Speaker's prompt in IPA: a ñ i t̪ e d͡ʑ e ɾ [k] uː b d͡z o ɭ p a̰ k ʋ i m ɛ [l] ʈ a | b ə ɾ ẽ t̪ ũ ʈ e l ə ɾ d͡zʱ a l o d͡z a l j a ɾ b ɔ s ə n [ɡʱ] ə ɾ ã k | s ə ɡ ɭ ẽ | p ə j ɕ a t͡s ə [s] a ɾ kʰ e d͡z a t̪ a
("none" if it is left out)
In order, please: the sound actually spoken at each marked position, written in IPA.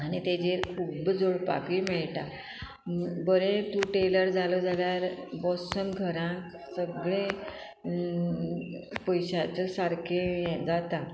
kʰ, ɭ, ɡʱ, s

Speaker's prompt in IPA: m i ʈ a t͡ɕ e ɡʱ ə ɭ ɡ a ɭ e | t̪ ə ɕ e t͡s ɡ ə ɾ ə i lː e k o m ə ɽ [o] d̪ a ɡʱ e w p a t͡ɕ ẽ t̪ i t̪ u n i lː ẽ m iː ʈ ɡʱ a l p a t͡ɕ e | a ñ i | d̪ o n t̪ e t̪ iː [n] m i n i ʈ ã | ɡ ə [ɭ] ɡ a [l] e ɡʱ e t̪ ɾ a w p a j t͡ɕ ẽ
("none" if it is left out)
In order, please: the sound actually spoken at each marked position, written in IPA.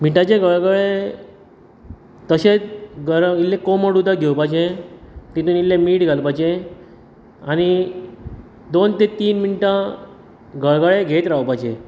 u, n, ɭ, ɭ

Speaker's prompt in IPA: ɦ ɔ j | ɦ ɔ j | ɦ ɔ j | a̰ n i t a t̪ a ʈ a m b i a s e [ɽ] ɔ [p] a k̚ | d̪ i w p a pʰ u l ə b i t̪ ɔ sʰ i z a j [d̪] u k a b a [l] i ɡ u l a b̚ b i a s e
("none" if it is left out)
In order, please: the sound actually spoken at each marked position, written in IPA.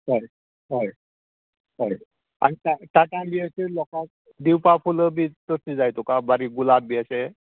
l, k, t̪, ɾ

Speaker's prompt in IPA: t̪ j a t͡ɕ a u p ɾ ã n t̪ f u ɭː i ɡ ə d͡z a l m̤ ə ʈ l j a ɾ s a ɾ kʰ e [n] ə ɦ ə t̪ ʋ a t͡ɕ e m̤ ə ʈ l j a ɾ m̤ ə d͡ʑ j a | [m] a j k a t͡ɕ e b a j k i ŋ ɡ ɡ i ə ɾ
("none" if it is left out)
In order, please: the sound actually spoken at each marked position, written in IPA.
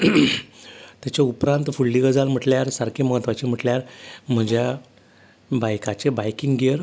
m, b

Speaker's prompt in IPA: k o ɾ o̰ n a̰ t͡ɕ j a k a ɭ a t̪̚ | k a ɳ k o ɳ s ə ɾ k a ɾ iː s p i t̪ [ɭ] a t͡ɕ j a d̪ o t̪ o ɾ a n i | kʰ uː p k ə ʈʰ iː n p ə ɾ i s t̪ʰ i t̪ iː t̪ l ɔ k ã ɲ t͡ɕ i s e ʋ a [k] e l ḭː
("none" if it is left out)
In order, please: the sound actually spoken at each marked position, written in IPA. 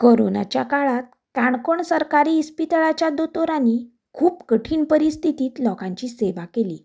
ɭ, k

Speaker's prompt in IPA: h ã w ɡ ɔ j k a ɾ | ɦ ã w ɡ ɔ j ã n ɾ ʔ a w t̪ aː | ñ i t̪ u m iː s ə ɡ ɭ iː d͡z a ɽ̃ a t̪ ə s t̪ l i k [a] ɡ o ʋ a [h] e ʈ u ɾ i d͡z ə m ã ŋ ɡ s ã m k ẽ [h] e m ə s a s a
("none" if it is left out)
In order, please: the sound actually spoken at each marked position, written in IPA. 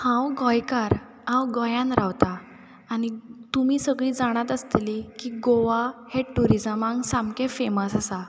i, h, f

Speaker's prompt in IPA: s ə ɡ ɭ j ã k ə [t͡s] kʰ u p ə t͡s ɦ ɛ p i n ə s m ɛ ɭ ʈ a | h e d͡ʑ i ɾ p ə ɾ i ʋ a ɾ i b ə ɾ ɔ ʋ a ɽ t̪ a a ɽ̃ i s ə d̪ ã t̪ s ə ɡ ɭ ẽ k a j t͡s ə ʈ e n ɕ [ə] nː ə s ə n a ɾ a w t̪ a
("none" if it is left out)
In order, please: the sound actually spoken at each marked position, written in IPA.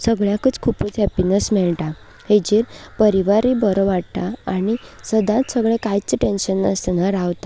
t͡s, ə

